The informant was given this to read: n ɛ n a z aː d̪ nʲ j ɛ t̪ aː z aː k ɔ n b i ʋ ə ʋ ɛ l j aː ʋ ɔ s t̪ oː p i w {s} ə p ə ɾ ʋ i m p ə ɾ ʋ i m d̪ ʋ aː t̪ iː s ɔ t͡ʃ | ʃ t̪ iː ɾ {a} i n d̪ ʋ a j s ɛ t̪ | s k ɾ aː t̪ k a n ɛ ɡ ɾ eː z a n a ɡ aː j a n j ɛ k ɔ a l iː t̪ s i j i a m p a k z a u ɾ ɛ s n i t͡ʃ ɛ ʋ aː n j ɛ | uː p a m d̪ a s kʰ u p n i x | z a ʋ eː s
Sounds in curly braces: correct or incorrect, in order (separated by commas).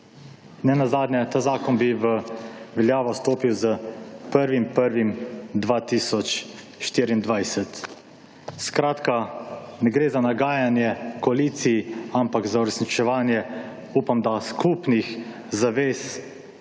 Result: incorrect, incorrect